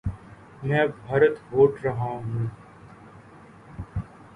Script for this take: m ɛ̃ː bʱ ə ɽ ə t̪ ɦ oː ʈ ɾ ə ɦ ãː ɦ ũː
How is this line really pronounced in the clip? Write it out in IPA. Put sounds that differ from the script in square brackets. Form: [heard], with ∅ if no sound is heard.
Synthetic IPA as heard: m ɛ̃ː bʱ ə [ɾ] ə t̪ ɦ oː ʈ ɾ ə ɦ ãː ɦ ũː